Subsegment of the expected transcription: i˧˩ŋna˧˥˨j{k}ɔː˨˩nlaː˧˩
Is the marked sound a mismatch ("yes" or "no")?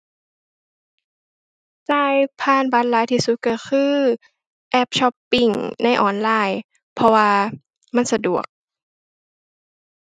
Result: yes